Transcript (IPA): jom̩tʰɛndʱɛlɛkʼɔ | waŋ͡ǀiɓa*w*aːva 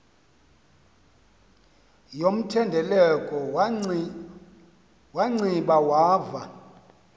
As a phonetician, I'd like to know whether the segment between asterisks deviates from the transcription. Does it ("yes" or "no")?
no